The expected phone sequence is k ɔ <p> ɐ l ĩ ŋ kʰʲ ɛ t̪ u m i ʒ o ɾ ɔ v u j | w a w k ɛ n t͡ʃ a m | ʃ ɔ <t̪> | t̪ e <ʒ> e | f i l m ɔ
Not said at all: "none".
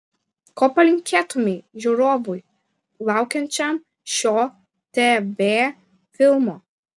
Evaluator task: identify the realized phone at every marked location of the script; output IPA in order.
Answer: p, none, v

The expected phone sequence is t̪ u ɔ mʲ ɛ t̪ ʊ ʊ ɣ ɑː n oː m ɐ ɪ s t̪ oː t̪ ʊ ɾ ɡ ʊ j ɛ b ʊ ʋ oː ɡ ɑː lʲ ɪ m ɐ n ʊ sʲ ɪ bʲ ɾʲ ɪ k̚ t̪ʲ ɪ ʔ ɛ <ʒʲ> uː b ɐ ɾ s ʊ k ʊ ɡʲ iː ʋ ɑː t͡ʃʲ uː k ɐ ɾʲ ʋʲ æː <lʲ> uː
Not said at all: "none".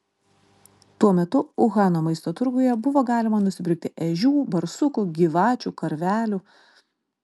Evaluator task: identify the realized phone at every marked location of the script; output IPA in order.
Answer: ʒʲ, lʲ

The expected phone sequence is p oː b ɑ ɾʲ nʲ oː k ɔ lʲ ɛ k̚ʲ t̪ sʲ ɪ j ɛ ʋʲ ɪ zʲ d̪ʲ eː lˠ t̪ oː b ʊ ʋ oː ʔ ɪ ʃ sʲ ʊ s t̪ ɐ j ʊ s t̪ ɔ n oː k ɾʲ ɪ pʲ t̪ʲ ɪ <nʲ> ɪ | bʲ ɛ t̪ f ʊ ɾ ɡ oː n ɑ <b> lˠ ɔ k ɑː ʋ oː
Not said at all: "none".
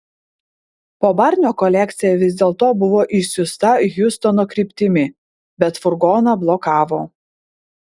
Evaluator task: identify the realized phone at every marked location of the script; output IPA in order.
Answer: mʲ, b

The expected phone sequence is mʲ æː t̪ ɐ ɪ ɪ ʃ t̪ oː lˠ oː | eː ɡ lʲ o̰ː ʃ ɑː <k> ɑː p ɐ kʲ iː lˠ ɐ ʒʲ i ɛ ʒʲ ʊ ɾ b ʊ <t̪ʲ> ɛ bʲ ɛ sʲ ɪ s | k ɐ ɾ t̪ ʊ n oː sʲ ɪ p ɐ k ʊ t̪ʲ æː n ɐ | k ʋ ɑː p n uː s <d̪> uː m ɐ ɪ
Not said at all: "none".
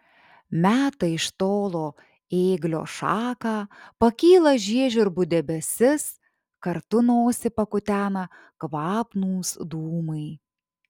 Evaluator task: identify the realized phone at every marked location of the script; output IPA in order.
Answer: k, d̪ʲ, d̪

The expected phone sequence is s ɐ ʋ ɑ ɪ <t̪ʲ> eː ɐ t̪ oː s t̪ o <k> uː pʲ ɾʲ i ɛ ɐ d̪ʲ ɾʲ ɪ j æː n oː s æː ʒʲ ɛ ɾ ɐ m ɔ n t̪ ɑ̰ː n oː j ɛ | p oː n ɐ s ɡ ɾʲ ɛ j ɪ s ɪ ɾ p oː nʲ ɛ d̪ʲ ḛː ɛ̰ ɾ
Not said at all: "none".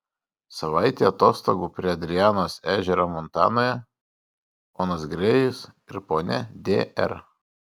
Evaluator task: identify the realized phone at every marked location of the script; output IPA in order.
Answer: t̪ʲ, ɡ

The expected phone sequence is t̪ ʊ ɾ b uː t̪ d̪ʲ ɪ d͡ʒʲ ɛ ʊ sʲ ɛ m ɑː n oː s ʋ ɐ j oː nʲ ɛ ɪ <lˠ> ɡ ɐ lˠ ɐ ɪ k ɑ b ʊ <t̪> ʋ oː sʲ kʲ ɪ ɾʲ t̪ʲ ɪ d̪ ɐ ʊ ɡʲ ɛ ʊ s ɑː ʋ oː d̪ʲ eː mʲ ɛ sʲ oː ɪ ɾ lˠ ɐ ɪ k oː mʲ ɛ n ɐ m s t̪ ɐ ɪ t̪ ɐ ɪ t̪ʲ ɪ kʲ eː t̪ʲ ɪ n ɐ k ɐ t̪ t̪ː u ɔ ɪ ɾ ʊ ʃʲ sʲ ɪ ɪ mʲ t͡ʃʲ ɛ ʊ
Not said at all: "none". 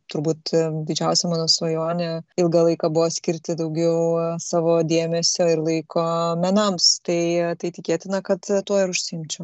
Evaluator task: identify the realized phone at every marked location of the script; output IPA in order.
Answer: lˠ, none

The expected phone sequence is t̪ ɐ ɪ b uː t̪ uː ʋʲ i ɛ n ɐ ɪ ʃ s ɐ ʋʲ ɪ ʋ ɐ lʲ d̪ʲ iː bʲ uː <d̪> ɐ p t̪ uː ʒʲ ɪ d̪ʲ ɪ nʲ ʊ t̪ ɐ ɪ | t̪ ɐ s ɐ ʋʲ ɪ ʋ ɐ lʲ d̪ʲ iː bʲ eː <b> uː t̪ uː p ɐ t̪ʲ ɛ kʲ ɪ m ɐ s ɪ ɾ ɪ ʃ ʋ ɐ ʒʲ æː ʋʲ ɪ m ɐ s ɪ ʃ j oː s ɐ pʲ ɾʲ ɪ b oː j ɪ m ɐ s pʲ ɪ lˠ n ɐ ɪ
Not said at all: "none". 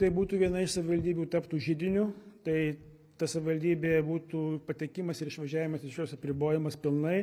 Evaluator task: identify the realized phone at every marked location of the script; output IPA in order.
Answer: t̪, b

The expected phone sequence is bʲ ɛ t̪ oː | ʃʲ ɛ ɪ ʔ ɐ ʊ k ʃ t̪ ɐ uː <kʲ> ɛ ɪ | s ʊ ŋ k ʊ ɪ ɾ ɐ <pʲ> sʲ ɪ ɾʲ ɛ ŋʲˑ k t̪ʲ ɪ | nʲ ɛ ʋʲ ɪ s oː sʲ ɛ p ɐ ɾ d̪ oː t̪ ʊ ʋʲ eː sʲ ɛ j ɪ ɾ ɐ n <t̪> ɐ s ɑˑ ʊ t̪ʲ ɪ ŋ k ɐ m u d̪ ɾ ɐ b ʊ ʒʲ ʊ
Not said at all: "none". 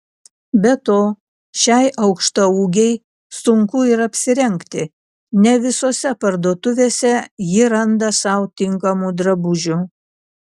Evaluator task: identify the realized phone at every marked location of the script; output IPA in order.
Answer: ɡʲ, pʲ, d̪

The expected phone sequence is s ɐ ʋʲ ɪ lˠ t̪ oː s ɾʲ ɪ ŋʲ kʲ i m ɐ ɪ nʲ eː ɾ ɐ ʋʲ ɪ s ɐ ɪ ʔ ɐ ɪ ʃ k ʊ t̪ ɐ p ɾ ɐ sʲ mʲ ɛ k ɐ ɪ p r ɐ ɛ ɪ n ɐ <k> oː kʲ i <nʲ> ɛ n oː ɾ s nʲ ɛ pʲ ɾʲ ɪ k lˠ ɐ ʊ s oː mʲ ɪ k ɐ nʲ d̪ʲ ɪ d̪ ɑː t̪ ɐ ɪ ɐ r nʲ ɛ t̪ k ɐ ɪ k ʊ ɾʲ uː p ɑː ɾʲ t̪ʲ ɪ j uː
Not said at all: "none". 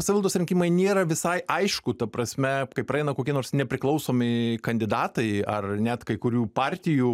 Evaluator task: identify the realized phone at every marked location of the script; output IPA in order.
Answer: k, none

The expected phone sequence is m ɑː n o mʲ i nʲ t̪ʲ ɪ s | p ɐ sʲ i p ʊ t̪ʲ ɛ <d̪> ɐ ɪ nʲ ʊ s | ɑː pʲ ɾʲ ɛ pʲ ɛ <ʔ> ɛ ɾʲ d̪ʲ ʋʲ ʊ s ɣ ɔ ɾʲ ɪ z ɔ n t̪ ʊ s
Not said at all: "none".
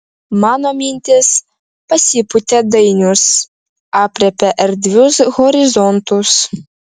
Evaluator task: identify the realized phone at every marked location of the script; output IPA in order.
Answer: d̪, ʔ

